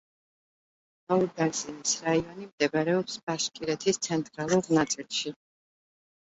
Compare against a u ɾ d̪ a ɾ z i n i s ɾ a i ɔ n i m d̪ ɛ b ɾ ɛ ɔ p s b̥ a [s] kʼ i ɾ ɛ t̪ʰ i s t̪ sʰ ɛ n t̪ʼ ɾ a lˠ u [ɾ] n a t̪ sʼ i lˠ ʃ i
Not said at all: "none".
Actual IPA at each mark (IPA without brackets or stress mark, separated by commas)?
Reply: ʃ, ɾ